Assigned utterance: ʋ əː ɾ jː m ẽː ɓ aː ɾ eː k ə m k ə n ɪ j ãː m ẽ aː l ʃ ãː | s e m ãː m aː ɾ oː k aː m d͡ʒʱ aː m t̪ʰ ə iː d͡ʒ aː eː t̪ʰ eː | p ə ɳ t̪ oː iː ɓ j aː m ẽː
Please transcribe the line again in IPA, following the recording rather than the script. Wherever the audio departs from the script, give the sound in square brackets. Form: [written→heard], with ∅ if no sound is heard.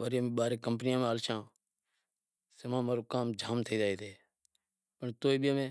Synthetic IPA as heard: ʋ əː ɾ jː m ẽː ɓ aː ɾ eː k ə m [k→p] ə n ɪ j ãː m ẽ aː l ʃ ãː | s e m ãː m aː ɾ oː k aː m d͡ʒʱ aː m t̪ʰ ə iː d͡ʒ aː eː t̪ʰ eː | p ə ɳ t̪ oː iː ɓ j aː m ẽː